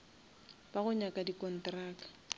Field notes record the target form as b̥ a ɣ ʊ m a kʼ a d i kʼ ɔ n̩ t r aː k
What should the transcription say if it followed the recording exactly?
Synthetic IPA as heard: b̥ a ɣ ʊ ɲ a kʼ a d i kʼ ɔ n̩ t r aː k

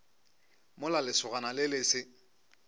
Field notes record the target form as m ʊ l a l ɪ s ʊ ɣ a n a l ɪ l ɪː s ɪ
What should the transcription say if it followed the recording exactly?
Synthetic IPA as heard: m ʊ l a l ɪ s ʊ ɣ a n a l ɪ l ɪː s ɪ

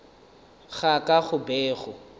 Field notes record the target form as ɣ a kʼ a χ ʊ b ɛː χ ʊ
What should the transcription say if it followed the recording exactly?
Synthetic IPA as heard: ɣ a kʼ a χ ʊ b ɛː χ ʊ

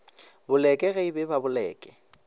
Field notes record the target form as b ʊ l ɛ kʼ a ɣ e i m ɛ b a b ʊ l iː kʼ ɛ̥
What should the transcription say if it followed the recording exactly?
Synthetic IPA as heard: b ʊ l ɛ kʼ ɛ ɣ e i b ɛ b a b ʊ l ɛː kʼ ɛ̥

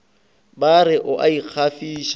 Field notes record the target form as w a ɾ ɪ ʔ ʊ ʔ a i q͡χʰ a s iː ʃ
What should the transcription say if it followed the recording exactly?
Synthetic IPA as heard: b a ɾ ɪ ʔ ʊ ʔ a i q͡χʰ a f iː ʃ

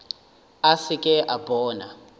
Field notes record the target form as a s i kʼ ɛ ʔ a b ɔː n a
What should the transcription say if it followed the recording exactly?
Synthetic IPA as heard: a s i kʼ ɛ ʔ a b ɔː n a

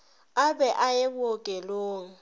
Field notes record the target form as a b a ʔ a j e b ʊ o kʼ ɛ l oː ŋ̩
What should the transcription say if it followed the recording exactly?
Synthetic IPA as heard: a b ɛ ʔ a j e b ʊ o kʼ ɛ l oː ŋ̩

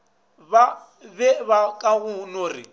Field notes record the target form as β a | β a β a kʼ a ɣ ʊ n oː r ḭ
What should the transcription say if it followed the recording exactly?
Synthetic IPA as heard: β a | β ɛ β a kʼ a ɣ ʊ n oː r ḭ

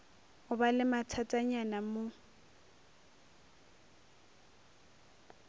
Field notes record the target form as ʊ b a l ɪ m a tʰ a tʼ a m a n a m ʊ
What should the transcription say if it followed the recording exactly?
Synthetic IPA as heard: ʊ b a l ɪ m a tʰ a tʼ a ɲ a n a m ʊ

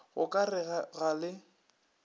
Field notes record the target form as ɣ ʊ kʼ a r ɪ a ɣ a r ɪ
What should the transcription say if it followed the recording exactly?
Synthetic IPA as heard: ɣ ʊ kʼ a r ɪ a ɣ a l ɪ

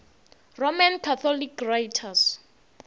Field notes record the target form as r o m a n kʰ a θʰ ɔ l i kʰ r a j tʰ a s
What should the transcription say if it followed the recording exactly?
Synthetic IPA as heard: r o m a n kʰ a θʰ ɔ l i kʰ r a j tʰ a s

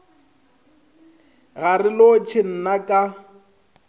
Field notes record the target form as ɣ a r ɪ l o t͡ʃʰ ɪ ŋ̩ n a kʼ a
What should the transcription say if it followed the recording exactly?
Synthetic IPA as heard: ɣ a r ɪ l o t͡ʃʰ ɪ n̩ n a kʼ a

